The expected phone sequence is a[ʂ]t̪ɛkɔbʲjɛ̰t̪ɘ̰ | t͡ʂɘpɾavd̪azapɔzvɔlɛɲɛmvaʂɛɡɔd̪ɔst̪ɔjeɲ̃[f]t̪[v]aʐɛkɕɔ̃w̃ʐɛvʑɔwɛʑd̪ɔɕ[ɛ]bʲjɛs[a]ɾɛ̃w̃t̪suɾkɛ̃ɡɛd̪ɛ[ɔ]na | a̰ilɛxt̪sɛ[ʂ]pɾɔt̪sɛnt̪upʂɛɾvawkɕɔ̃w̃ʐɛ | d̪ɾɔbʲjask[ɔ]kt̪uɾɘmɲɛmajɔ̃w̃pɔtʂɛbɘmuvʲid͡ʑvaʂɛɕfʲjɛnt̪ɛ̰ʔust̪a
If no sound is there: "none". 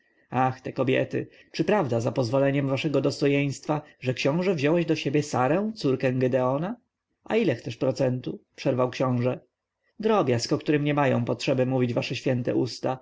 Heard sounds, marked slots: x, s, f, e, a, ɔ, ʂ, ɔ

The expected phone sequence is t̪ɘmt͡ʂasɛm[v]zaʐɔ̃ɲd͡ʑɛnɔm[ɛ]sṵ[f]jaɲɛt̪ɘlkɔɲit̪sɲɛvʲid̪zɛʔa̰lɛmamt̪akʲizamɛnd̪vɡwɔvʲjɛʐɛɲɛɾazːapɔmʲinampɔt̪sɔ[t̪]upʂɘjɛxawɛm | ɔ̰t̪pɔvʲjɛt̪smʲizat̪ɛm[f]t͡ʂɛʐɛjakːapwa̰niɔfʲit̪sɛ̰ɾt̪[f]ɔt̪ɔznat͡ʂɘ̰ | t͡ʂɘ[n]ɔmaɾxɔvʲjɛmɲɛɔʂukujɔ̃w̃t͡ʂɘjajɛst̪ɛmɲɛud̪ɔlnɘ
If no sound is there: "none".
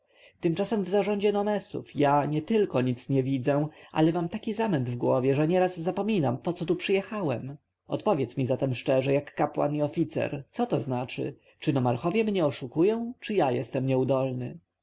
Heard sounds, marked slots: v, ɛ, f, t̪, ʂ, s, n

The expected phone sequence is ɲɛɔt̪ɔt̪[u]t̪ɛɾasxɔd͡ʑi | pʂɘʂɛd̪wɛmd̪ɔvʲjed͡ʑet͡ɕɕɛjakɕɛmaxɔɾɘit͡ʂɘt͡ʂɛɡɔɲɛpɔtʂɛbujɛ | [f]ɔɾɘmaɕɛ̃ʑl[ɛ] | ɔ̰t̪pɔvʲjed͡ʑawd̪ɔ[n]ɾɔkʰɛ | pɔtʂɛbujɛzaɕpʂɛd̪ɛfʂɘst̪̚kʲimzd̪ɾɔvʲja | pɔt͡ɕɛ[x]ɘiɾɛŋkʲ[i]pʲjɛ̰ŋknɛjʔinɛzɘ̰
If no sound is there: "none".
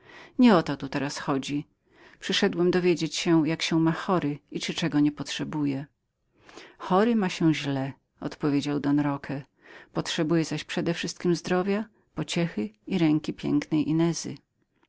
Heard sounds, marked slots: u, x, ɛ, n, x, i

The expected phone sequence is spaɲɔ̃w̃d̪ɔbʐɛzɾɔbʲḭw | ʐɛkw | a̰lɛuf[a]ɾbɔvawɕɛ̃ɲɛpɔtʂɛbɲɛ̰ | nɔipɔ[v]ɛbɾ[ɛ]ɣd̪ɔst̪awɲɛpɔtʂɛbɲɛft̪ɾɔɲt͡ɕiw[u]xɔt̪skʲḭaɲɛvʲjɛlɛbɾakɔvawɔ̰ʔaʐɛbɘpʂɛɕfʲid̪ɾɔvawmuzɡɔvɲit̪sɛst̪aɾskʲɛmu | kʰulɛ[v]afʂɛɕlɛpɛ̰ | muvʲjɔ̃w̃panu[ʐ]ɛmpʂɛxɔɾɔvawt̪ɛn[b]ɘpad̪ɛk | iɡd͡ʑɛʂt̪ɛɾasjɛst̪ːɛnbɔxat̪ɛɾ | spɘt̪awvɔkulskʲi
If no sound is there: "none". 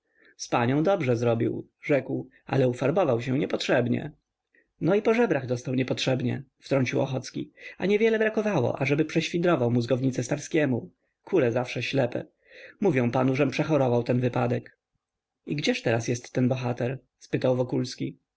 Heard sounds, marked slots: a, ʐ, a, ɔ, z, ʐ, v

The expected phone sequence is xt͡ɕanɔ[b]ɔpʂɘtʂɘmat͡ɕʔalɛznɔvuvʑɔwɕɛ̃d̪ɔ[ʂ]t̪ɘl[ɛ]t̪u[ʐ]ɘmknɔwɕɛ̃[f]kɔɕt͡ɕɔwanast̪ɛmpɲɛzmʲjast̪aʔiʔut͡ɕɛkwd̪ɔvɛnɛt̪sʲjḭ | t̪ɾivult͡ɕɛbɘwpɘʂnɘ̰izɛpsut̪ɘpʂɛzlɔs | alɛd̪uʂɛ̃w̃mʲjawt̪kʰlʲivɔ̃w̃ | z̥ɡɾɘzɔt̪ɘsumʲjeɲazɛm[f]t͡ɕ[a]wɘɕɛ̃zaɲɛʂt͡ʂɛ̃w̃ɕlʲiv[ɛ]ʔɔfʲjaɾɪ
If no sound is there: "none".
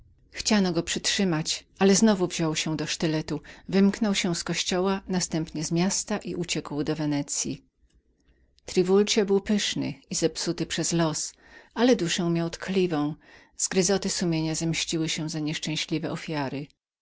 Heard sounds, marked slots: ɡ, ʂ, ɛ, v, s, ɕ, i, ɛ

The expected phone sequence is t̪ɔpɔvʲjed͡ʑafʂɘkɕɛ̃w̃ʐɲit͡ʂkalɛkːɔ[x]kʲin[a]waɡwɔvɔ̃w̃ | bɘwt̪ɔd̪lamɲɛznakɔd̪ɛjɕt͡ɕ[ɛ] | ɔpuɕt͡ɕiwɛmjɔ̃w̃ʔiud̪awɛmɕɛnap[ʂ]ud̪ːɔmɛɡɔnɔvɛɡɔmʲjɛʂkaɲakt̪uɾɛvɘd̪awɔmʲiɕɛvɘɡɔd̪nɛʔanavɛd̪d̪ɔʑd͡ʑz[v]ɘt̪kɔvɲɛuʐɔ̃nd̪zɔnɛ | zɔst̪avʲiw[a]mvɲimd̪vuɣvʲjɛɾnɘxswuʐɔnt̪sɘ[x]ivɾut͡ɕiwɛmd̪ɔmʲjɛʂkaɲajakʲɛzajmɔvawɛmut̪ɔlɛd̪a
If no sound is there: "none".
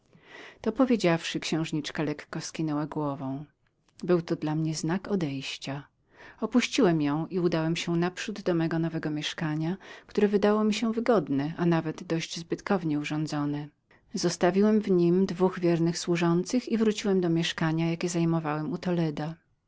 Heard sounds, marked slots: s, ɛ, a, ʂ, b, ɛ, x

